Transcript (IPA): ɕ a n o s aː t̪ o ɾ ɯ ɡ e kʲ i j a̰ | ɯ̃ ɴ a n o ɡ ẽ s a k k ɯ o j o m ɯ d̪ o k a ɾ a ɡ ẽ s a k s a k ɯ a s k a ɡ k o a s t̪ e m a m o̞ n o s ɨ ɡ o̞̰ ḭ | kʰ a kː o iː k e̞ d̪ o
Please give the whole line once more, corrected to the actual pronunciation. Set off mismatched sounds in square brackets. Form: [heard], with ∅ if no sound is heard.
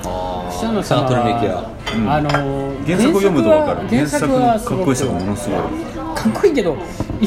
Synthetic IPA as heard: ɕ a n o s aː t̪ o ɾ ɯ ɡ e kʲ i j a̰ | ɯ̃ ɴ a n o ɡ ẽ s a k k ɯ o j o m ɯ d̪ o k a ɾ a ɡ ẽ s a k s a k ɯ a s k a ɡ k o [i] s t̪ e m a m o̞ n o s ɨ ɡ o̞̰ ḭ | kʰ a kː o iː k e̞ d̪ o